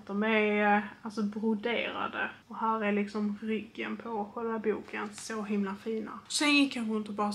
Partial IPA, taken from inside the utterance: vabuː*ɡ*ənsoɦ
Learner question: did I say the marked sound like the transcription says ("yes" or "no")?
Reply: no